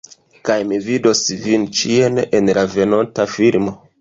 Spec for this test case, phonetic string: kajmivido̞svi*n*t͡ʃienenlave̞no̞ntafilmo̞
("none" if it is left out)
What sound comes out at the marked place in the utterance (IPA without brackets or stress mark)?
n